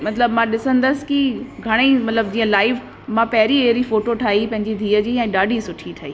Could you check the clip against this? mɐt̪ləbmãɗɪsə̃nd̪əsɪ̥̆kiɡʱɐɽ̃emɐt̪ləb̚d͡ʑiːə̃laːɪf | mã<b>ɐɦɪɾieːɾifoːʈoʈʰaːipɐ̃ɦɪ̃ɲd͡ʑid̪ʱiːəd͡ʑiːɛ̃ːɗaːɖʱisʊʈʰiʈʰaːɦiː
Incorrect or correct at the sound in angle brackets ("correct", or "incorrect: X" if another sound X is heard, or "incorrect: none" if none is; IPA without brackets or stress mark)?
incorrect: p